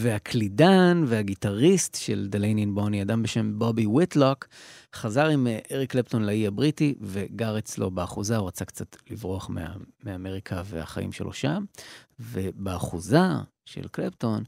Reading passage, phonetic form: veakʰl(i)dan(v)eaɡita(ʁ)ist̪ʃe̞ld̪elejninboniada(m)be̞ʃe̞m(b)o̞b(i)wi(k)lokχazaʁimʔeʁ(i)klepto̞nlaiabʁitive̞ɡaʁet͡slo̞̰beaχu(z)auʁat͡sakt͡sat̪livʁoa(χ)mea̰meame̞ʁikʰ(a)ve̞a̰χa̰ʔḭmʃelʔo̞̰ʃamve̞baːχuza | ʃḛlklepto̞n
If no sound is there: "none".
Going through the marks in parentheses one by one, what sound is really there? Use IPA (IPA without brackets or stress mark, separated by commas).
i, v, ʁ, m, b, i, t, i, z, χ, a